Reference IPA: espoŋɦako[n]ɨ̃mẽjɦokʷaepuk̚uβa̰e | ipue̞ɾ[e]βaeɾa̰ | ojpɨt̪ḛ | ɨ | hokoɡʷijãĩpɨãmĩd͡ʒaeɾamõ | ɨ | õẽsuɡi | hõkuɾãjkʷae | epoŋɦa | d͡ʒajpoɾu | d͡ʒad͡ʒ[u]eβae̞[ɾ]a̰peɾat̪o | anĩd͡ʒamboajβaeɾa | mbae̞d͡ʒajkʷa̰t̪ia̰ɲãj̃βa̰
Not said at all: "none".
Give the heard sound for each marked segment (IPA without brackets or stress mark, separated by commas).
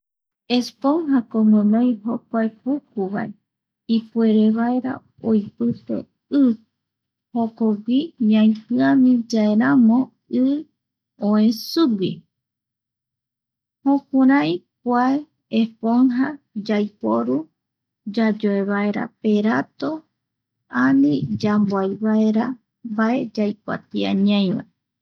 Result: m, e, o, ɾ